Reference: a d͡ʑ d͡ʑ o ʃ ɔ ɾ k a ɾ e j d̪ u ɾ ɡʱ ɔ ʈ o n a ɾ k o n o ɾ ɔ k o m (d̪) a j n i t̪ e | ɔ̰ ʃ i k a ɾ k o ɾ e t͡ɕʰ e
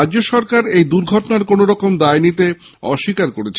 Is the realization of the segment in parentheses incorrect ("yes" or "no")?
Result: no